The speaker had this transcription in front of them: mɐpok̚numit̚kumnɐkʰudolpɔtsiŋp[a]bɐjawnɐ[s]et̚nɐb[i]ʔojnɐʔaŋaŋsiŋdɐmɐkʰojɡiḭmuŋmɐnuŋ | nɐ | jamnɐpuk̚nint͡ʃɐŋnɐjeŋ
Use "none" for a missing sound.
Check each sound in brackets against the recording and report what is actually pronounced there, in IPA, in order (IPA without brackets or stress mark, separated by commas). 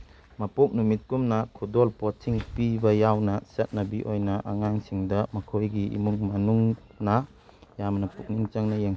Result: i, s, i